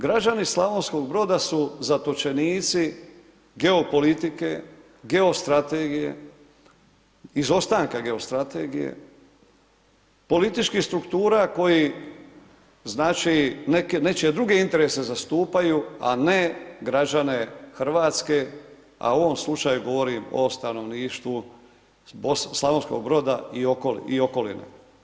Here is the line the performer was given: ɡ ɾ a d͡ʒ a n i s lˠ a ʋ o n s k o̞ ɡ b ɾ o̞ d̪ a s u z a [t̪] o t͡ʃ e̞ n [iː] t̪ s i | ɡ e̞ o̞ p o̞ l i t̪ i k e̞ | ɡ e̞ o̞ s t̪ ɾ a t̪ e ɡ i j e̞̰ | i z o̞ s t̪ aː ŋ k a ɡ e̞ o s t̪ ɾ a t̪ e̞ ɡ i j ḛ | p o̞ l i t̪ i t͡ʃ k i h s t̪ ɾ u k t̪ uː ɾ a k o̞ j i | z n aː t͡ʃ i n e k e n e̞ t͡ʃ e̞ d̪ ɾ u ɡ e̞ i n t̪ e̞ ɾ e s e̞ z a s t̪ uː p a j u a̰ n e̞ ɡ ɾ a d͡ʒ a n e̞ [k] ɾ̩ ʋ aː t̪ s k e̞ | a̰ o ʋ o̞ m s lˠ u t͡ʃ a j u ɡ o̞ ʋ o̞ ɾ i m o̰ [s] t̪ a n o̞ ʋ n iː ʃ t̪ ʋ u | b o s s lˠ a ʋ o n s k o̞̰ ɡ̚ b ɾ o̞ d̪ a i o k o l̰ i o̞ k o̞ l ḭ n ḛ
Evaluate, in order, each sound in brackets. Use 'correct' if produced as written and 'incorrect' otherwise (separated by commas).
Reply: correct, correct, incorrect, correct